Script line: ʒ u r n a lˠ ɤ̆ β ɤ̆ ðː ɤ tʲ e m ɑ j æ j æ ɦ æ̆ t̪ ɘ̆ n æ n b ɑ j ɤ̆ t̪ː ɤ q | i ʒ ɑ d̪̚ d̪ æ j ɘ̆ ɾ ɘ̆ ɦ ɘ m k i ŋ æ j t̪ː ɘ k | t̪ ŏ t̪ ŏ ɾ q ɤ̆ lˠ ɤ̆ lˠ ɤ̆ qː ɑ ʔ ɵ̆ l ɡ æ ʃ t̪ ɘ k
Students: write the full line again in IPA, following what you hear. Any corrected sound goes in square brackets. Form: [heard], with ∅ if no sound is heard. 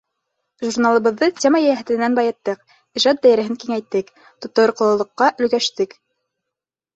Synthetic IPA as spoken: ʒ u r n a lˠ ɤ̆ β ɤ̆ ðː ɤ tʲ e m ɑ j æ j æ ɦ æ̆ t̪ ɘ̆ n æ n b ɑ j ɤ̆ t̪ː ɤ q | i ʒ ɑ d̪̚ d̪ æ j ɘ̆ ɾ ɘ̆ ɦ ɘ [ŋ] k i ŋ æ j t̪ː ɘ k | t̪ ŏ t̪ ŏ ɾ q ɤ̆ lˠ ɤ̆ lˠ ɤ̆ qː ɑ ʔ ɵ̆ l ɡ æ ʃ t̪ ɘ k